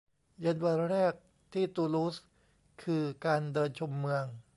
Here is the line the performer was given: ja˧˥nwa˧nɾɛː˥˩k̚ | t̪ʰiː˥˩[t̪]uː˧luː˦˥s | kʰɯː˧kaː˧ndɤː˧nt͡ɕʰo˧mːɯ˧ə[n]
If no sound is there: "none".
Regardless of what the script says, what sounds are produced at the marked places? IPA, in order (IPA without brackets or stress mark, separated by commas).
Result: t̪, ŋ